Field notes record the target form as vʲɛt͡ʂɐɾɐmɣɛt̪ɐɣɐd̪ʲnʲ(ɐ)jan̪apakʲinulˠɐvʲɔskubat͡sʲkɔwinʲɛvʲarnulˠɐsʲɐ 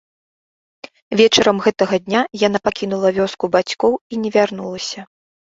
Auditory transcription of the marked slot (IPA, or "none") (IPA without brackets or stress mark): a